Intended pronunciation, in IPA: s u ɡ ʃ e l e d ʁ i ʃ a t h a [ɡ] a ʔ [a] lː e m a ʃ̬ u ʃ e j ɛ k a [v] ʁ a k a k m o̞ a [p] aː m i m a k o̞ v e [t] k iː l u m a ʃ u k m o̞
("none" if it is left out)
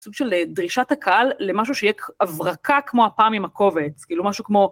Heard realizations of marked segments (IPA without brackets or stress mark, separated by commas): k, a, v, p, t͡s